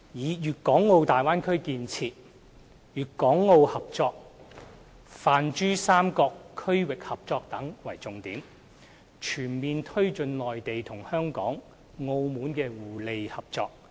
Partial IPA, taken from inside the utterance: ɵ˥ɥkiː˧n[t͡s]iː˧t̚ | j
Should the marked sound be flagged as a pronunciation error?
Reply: yes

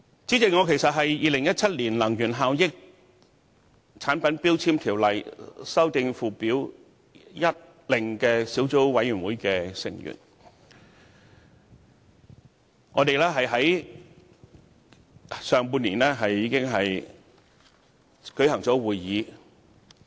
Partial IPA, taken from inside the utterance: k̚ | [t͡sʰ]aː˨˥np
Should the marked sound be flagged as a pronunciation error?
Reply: no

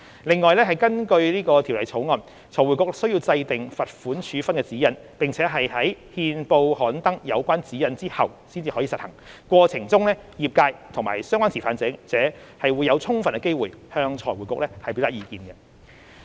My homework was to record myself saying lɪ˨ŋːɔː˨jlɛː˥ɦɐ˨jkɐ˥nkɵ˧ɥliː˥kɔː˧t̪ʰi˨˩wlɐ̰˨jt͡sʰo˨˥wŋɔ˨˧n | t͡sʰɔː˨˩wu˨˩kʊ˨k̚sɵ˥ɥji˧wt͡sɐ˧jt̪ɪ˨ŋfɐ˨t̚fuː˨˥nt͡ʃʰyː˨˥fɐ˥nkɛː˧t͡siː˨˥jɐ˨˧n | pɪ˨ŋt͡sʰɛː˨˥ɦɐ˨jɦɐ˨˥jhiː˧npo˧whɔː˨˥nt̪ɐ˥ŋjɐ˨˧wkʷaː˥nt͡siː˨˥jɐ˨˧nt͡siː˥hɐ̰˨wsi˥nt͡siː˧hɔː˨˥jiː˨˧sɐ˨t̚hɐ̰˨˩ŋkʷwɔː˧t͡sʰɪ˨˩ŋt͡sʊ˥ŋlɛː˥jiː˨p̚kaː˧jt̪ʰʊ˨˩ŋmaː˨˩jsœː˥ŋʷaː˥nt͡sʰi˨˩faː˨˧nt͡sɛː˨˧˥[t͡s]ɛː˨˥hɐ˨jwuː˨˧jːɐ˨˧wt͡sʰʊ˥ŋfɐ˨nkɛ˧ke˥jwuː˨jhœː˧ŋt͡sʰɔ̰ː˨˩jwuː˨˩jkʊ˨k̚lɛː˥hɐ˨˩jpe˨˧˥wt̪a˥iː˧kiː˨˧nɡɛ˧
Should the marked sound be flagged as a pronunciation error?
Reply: no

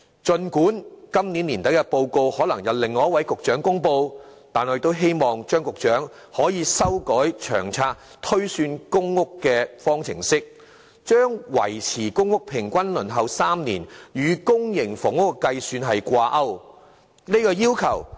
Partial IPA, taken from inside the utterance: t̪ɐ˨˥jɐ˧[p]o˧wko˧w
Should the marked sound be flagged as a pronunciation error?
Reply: no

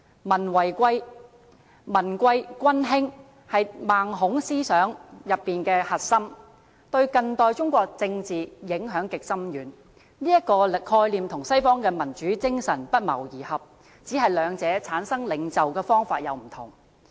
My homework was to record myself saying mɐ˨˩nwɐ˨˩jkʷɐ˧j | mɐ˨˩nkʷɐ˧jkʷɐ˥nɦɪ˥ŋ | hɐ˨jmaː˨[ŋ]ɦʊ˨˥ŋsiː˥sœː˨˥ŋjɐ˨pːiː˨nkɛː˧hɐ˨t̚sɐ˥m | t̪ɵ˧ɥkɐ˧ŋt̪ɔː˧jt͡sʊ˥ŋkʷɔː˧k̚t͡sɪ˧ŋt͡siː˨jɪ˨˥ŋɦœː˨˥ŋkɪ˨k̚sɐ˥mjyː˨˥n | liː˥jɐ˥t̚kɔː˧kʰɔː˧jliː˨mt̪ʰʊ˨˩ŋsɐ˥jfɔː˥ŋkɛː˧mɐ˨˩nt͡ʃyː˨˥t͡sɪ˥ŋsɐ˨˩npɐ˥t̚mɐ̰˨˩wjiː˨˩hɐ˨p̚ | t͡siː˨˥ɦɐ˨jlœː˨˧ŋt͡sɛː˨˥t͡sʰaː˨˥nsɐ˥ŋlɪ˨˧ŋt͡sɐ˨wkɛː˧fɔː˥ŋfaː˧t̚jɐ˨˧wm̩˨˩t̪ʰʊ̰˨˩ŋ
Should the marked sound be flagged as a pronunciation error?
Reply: no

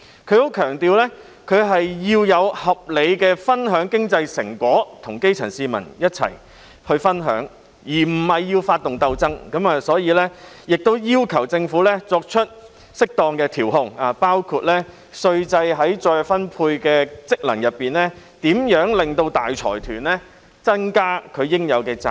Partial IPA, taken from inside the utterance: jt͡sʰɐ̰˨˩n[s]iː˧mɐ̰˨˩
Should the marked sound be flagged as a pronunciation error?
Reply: no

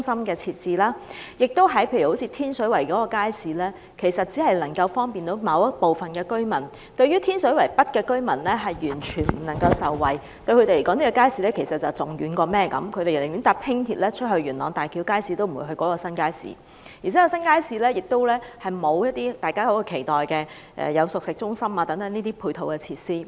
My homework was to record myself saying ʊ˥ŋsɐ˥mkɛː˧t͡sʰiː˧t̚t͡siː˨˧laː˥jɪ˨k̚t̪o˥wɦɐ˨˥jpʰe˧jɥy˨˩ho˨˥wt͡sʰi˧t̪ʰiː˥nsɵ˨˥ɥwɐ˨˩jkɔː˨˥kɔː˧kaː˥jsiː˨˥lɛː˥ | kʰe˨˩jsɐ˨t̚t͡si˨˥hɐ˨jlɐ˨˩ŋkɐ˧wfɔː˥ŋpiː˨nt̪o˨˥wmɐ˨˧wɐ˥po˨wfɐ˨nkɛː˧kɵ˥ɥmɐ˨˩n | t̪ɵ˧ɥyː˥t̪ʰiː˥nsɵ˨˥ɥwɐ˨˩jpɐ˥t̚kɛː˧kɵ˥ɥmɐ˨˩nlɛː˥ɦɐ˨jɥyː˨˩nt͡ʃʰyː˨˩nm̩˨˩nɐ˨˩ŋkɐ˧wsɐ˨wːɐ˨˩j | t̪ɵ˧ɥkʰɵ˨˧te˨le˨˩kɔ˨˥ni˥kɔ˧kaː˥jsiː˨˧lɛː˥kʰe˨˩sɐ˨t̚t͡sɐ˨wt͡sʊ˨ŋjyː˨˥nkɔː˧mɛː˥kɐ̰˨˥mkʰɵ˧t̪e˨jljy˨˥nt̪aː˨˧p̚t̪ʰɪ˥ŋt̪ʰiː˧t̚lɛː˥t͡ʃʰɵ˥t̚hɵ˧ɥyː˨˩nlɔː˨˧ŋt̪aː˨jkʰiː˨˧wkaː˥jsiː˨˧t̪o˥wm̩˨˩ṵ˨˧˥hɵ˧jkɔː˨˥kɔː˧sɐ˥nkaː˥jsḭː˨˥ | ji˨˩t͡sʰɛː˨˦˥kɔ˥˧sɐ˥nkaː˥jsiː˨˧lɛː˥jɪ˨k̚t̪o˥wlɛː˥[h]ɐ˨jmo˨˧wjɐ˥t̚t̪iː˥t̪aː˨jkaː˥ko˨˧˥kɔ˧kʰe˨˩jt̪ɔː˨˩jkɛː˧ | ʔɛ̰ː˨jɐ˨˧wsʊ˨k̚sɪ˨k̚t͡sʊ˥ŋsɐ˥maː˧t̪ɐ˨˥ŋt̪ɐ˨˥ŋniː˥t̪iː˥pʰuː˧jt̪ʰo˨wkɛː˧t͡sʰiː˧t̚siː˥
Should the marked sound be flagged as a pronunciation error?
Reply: no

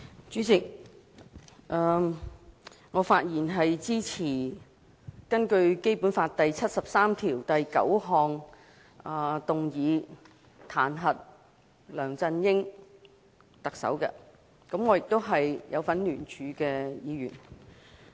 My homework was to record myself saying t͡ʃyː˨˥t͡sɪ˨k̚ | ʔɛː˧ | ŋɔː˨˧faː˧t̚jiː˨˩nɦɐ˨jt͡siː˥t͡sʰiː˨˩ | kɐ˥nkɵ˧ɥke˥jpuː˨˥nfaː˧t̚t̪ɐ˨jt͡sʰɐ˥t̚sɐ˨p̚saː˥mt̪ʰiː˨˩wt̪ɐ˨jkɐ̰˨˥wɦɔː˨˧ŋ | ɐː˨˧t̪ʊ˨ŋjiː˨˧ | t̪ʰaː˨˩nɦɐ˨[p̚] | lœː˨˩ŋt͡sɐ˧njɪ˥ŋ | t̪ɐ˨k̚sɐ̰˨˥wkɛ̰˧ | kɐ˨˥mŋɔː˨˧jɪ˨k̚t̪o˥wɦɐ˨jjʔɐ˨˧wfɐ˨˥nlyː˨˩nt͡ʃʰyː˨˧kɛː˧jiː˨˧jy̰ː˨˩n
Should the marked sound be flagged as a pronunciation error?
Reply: yes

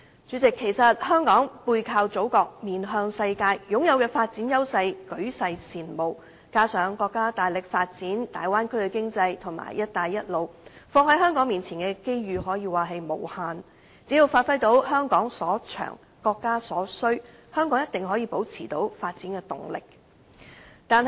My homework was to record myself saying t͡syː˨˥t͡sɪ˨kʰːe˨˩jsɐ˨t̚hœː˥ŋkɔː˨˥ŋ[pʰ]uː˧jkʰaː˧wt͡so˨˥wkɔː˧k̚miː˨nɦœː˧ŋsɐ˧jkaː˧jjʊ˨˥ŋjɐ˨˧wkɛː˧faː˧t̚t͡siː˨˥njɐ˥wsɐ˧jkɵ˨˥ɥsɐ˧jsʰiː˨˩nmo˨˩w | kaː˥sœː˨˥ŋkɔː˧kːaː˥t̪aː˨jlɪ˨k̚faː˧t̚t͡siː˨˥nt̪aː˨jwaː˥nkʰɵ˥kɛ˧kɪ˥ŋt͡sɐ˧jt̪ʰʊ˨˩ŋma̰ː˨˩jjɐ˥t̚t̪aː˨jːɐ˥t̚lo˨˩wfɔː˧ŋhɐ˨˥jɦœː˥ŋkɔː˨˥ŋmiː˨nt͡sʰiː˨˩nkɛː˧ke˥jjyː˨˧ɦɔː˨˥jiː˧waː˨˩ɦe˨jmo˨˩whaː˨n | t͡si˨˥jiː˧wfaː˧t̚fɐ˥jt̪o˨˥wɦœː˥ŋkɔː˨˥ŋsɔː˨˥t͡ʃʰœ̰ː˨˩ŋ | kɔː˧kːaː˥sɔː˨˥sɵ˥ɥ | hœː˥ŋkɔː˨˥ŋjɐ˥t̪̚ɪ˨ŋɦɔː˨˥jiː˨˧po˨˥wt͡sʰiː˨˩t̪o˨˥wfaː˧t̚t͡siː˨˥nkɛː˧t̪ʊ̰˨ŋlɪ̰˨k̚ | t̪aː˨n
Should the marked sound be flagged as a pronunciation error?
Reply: yes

